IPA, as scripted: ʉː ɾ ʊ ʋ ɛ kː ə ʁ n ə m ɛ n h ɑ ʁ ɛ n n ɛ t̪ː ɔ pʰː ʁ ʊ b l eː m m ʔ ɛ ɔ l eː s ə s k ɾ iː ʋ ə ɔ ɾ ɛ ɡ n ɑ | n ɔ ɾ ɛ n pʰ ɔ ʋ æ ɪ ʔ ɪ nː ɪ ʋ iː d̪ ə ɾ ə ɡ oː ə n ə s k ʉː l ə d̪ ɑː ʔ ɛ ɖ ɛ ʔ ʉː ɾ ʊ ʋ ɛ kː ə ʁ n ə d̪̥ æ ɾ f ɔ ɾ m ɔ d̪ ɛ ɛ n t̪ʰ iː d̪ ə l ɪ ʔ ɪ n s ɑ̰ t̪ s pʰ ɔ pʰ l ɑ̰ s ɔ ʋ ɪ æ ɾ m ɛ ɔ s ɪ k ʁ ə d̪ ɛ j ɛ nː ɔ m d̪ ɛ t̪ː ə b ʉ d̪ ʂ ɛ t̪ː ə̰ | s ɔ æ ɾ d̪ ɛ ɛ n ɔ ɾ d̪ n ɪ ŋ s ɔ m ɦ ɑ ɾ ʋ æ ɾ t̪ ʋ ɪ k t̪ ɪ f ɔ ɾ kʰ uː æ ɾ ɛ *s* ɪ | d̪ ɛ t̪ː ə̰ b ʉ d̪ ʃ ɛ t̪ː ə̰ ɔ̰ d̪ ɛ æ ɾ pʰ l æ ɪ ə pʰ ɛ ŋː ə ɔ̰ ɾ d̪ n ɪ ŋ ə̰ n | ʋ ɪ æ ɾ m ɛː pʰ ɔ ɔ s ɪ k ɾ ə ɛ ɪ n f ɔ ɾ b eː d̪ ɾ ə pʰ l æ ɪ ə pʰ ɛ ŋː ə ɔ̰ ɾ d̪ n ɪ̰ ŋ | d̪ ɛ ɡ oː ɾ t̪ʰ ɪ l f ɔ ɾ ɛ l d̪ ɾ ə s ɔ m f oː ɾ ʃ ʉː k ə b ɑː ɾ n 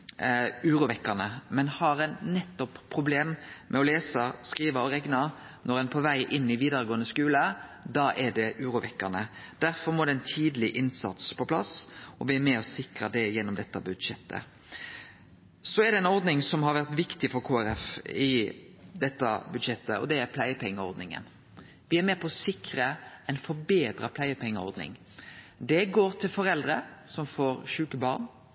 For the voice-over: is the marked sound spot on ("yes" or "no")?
no